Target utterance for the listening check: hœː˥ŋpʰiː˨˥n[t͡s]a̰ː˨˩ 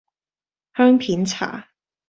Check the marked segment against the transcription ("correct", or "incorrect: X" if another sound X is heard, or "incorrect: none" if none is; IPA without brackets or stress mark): incorrect: t͡sʰ